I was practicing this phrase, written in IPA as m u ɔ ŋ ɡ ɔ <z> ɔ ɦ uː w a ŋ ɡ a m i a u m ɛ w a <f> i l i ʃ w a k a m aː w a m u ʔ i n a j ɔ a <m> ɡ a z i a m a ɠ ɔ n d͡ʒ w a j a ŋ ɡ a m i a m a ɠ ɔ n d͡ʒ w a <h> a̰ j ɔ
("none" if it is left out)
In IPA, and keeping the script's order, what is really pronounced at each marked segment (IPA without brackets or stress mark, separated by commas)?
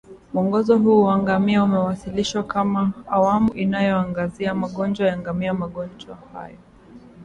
z, s, ŋ, h